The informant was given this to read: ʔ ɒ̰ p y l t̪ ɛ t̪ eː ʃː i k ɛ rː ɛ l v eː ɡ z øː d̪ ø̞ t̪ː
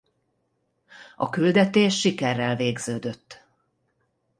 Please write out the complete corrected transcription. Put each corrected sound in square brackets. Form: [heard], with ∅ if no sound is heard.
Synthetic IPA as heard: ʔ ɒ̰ [k] y l [d̪] ɛ t̪ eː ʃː i k ɛ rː ɛ l v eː ɡ z øː d̪ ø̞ t̪ː